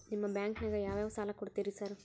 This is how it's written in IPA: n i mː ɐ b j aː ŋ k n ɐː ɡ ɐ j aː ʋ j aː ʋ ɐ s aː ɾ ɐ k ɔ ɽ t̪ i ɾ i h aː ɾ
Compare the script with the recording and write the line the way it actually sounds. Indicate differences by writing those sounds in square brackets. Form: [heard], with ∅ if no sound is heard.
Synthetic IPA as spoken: n i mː ɐ b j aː ŋ k n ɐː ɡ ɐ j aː ʋ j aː ʋ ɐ s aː [l] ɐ k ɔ ɽ t̪ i ɾ i [s] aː ɾ